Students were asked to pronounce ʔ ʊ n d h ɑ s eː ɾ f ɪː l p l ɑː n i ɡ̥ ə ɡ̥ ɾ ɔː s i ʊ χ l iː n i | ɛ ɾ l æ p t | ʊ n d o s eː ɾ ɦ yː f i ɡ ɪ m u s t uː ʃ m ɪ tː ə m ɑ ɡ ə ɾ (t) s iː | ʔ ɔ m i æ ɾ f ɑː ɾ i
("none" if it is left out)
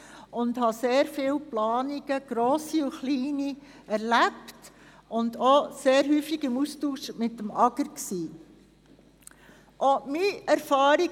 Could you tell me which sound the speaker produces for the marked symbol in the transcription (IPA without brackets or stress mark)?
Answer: k